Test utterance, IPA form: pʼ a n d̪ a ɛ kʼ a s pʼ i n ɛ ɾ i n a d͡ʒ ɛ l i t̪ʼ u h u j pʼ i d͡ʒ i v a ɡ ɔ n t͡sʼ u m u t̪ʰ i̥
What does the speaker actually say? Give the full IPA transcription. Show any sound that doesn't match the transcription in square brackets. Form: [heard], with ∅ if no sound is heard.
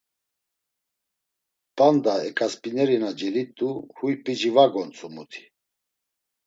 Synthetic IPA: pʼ a n d̪ a ɛ kʼ a s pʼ i n ɛ ɾ i n a d͡ʒ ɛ l i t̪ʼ u h u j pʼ i d͡ʒ i v a ɡ ɔ n t͡sʼ u m u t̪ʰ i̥